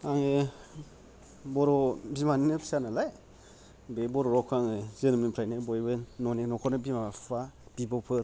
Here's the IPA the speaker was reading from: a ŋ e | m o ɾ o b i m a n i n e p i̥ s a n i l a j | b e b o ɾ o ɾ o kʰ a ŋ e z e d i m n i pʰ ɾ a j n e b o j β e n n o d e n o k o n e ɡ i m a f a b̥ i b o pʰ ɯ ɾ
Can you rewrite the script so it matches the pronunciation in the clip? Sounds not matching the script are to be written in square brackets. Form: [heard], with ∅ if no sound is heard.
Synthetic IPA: a ŋ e | [b] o ɾ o b i m a n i n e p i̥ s a n [a] l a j | b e b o ɾ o ɾ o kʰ a ŋ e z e [n] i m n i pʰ ɾ a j n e b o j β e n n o [n] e n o k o n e [b] i m a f a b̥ i b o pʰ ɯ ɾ

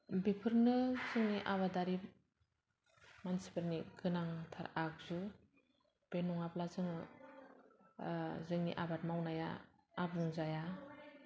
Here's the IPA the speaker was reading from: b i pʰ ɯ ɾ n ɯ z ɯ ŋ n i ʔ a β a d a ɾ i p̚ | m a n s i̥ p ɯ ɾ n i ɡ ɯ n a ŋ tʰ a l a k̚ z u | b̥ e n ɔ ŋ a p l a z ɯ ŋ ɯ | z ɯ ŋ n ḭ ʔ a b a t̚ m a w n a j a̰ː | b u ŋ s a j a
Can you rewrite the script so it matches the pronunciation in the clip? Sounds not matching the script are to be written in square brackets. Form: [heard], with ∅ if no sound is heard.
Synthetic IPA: b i pʰ ɯ ɾ n ɯ z ɯ ŋ n i ʔ a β a d a ɾ i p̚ | m a n s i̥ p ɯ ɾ n i ɡ ɯ n a ŋ tʰ a [ɾ] a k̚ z u | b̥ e n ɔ ŋ a p l a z ɯ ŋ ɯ | z ɯ ŋ n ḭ ʔ a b a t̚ m a w n a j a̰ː | b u ŋ [z] a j a

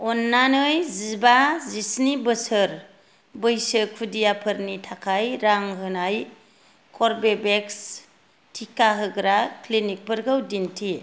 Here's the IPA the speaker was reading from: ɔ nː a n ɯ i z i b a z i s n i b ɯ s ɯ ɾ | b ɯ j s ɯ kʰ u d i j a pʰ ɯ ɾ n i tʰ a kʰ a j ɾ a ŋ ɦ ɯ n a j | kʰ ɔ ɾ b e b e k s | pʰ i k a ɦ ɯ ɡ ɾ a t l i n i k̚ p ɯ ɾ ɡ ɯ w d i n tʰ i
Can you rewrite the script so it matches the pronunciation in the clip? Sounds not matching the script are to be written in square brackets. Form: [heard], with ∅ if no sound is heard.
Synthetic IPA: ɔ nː a n ɯ [j] z i b a z i s n i b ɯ s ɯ ɾ | b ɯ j s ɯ kʰ u d i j a pʰ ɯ ɾ n i tʰ a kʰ a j ɾ a ŋ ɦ ɯ n a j | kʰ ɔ ɾ b e b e k s | [tʰ] i k a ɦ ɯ ɡ ɾ a [k] l i n i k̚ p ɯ ɾ ɡ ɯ w d i n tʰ i

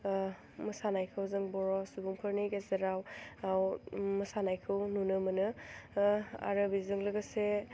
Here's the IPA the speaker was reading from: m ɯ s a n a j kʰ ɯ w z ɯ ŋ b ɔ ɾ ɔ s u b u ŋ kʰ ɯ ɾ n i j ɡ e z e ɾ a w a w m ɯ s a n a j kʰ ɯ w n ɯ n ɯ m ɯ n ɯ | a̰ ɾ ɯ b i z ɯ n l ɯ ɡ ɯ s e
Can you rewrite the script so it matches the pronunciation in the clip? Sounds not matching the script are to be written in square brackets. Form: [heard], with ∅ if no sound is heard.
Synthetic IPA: m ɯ s a n a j kʰ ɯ w z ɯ ŋ b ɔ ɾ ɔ s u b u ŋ [pʰ] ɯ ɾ n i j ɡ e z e ɾ a w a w m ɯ s a n a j kʰ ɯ w n [u] n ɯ m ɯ n ɯ | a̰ ɾ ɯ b i z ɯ [ŋ] l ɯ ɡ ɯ s e

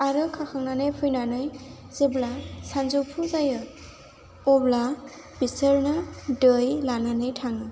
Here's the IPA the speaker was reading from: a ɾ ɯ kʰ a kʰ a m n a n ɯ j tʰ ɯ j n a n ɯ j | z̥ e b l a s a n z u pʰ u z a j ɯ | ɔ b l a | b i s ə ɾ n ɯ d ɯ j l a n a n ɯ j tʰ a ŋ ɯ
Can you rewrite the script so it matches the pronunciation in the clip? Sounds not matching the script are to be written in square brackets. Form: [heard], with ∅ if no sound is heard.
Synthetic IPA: a ɾ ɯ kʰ a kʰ a [ŋ] n a n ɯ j [pʰ] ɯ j n a n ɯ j | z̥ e b l a s a n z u pʰ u z a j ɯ | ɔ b l a | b i s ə ɾ n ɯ d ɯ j l a n a n ɯ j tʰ a ŋ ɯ

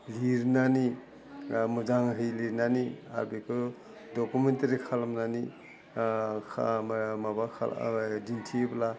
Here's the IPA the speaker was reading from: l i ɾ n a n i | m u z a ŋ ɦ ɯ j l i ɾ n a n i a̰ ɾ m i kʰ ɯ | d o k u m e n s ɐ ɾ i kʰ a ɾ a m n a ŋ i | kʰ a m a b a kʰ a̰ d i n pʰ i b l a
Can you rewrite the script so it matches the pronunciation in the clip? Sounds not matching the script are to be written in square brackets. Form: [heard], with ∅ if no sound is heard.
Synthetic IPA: l i ɾ n a n i | m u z a ŋ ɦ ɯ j l i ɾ n a n i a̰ ɾ [b] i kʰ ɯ | d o k u m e n [t] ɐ ɾ i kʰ a [l] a m n a [n] i | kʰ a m a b a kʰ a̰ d i n [tʰ] i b l a

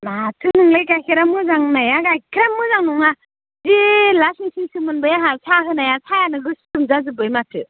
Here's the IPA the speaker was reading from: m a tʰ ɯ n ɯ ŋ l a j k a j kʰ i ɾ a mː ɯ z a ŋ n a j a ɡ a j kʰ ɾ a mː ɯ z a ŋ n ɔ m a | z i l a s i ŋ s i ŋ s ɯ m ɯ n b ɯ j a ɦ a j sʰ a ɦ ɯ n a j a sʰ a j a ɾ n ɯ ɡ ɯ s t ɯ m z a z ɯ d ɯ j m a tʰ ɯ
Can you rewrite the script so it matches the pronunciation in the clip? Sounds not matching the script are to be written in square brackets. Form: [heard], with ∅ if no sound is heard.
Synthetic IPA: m a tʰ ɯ n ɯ ŋ l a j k a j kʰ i ɾ a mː ɯ z a ŋ n a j a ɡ a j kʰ ɾ a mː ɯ z a ŋ n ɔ [ŋ] a | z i l a s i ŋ s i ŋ s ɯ m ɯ n b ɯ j a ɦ a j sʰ a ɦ ɯ n a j a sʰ a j a [∅] n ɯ ɡ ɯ s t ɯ m z a z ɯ [b] ɯ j m a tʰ ɯ

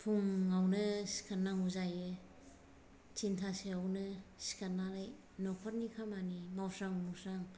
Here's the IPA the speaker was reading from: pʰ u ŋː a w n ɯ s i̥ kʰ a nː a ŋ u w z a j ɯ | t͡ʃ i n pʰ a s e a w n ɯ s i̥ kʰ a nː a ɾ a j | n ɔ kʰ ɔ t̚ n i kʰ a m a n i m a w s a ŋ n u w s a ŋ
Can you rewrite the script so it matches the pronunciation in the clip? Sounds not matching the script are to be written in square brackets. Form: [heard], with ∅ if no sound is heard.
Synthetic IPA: pʰ u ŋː a w n ɯ s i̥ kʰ a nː a ŋ u [∅] z a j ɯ | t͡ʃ i n [tʰ] a s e a w n ɯ s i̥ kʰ a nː a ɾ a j | n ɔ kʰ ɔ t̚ n i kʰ a m a n i m a w s a ŋ [m] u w s a ŋ

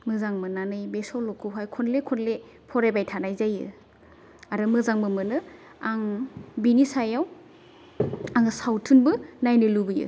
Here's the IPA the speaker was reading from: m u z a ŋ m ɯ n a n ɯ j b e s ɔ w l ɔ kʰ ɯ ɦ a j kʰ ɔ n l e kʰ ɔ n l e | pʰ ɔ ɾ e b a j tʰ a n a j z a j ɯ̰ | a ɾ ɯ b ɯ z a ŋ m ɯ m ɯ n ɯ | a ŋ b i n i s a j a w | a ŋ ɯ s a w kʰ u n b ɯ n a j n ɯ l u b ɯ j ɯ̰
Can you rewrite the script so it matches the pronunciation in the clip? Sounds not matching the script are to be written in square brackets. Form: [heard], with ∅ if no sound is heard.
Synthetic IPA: m [ɯ] z a ŋ m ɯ n a n ɯ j b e s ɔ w l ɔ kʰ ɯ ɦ a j kʰ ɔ n l e kʰ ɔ n l e | pʰ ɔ ɾ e b a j tʰ a n a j z a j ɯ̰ | a ɾ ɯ [m] ɯ z a ŋ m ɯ m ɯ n ɯ | a ŋ b i n i s a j a w | a ŋ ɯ s a w [tʰ] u n b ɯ n a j n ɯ l u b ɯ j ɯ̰

